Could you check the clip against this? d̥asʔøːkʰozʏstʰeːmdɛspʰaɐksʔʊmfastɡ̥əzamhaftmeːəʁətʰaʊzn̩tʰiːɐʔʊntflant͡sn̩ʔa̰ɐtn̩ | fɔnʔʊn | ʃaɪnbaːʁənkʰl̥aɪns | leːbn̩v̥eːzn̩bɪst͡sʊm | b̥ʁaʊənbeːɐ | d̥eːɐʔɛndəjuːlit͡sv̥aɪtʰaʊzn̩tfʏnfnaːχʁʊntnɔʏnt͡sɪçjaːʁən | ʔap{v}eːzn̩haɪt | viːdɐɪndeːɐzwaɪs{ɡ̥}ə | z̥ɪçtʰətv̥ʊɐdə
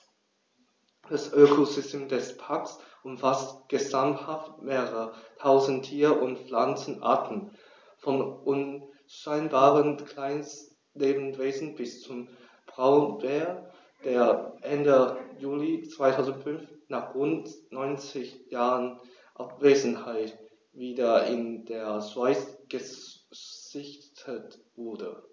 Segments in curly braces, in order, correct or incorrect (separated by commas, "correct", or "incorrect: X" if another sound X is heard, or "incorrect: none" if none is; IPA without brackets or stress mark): correct, correct